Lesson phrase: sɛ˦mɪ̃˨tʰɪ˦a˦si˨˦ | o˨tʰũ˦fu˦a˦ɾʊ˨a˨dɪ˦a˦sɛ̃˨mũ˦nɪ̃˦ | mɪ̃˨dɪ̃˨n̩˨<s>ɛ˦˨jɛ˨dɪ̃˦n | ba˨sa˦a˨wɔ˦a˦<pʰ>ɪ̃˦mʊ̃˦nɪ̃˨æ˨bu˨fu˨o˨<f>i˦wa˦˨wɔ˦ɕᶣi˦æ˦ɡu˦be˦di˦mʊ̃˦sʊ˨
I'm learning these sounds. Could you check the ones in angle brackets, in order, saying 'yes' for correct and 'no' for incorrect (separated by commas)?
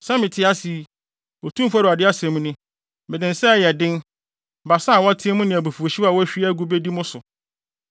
yes, no, no